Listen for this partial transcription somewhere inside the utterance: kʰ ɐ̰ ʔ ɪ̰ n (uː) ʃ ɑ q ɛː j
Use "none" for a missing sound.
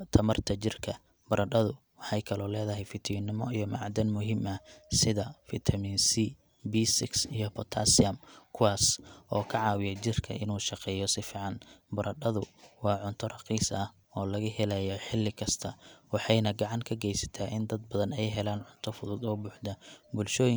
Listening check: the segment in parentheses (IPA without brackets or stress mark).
uː